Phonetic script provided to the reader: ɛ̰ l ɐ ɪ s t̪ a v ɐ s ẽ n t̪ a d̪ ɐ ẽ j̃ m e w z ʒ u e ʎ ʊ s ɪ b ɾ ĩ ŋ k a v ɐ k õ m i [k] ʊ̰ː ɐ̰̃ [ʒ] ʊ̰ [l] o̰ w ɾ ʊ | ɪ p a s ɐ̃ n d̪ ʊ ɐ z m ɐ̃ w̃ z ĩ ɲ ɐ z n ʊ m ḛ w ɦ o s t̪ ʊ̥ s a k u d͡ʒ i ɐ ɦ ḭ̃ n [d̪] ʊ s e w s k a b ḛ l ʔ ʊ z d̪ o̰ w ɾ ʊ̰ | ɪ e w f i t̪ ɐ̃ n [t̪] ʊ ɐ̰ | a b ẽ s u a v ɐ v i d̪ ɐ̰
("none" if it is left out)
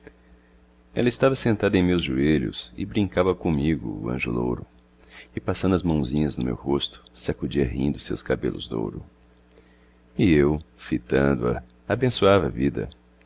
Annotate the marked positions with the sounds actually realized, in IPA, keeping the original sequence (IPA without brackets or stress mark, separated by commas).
ɡ, ʒ, l, d̪, d̪